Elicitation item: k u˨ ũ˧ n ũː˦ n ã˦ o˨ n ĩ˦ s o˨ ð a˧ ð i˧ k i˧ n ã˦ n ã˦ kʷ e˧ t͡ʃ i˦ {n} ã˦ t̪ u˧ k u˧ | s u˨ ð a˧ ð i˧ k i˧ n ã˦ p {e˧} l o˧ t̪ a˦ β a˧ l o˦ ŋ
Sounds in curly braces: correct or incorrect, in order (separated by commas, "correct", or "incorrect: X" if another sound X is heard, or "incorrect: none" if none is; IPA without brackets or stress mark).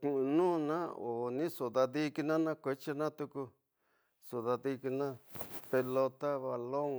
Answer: correct, correct